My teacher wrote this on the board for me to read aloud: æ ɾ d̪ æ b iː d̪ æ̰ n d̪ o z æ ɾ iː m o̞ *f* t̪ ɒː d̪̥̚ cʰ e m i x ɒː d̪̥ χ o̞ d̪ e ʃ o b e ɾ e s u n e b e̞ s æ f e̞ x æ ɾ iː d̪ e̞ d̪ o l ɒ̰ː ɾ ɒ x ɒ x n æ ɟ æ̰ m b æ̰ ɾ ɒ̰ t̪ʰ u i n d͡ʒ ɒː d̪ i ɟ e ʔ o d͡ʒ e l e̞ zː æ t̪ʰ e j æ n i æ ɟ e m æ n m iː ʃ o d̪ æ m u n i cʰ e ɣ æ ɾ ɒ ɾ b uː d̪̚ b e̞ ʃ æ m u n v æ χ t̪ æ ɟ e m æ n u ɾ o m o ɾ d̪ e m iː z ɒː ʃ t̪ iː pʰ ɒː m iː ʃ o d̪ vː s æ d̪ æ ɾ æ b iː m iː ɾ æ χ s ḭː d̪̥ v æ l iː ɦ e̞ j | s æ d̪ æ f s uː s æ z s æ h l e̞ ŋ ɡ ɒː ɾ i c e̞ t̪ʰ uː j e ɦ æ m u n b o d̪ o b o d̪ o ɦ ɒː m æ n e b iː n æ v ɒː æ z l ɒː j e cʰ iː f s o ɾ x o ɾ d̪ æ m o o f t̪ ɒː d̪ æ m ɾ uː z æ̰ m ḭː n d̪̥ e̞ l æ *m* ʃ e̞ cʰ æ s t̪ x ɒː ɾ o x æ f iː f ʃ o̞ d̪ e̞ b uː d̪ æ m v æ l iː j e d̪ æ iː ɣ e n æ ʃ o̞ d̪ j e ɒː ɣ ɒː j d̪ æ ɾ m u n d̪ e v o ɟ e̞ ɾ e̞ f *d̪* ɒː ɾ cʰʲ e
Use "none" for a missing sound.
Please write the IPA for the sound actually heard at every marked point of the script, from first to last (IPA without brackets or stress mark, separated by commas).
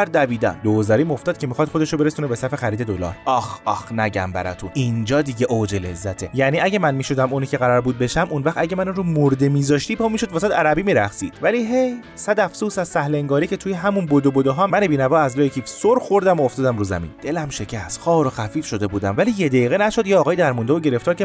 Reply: f, m, t̪